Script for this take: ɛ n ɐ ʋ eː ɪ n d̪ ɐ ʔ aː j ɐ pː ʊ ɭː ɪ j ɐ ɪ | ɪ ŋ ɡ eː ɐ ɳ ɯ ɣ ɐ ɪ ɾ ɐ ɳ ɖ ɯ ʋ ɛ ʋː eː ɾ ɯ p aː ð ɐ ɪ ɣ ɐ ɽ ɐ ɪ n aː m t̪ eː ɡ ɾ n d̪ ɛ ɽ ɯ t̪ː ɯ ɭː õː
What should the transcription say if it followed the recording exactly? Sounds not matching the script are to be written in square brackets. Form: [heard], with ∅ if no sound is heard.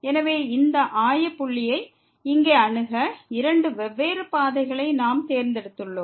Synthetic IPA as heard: ɛ n ɐ ʋ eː ɪ n d̪ ɐ ʔ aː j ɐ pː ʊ ɭː ɪ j ɐ ɪ | ɪ ŋ ɡ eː ɐ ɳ ɯ ɣ ɐ ɪ ɾ ɐ ɳ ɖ ɯ ʋ ɛ ʋː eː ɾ ɯ p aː ð ɐ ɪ ɣ ɐ [ɭ] ɐ ɪ n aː m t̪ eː [∅] ɾ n d̪ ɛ ɽ ɯ t̪ː ɯ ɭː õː